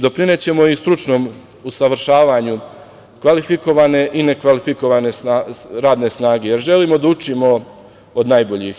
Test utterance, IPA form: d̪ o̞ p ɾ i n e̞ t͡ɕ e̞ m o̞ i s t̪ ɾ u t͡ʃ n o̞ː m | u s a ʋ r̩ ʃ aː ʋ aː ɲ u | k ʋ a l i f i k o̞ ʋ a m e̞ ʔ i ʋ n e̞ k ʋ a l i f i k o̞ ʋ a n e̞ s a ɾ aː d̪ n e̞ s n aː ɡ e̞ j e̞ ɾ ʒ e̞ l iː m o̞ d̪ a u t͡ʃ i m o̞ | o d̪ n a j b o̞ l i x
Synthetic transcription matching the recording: d̪ o̞ p ɾ i n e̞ t͡ɕ e̞ m o̞ i s t̪ ɾ u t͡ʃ n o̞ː m | u s a ʋ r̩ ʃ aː ʋ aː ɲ u | k ʋ a l i f i k o̞ ʋ a n e̞ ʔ i n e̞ k ʋ a l i f i k o̞ ʋ a n e̞ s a ɾ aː d̪ n e̞ s n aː ɡ e̞ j e̞ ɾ ʒ e̞ l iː m o̞ d̪ a u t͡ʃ i m o̞ | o d̪ n a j b o̞ ʎ i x